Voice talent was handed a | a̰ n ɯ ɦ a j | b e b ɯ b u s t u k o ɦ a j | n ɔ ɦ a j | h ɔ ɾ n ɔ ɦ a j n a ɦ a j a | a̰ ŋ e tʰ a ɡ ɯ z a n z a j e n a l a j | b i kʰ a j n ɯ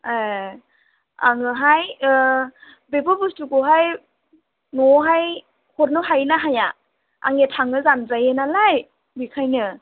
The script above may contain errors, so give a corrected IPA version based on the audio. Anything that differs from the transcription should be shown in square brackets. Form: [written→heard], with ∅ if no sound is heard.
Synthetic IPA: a | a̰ [n→ŋ] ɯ ɦ a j | b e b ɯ b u s t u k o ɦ a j | n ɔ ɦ a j | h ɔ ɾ n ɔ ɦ a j n a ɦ a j a | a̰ ŋ e tʰ a [ɡ→ŋ] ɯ z a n z a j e n a l a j | b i kʰ a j n ɯ